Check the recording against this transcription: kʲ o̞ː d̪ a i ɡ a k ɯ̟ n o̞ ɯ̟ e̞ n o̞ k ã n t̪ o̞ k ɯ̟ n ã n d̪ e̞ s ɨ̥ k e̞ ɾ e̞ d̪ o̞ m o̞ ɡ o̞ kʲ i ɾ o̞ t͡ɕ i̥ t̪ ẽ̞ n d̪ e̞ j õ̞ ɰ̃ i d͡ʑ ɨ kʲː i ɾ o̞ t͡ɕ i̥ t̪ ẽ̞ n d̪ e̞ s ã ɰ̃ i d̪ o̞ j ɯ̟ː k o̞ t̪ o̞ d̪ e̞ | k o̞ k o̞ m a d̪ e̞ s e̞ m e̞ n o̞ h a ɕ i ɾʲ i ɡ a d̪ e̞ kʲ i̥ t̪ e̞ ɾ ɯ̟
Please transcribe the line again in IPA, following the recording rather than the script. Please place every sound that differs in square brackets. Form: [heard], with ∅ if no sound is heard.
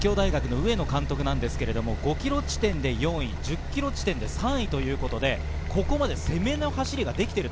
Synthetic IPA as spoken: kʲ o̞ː d̪ a i ɡ a k ɯ̟ n o̞ ɯ̟ e̞ n o̞ k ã n t̪ o̞ k ɯ̟ n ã n d̪ e̞ s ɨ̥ k e̞ ɾ e̞ d̪ o̞ m o̞ ɡ o̞ kʲ i ɾ o̞ t͡ɕ i̥ t̪ ẽ̞ n d̪ e̞ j õ̞ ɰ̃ i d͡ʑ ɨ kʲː i ɾ o̞ t͡ɕ i̥ t̪ ẽ̞ n d̪ e̞ s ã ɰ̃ i [t̪] o̞ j ɯ̟ː k o̞ t̪ o̞ d̪ e̞ | k o̞ k o̞ m a d̪ e̞ s e̞ m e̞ n o̞ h a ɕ i ɾʲ i ɡ a d̪ e̞ kʲ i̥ t̪ e̞ ɾ ɯ̟